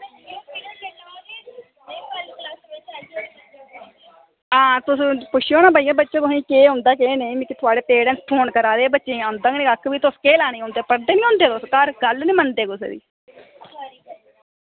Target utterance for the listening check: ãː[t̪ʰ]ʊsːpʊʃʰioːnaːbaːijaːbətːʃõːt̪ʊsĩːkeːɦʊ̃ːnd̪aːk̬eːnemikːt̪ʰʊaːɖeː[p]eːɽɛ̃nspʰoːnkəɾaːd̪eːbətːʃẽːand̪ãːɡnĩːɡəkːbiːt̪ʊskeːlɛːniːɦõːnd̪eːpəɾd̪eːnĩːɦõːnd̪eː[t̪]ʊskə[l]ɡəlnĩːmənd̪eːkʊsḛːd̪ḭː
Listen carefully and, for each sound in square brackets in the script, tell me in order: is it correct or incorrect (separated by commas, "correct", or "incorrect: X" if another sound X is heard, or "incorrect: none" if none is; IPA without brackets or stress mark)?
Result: incorrect: t̪, correct, correct, incorrect: ɾ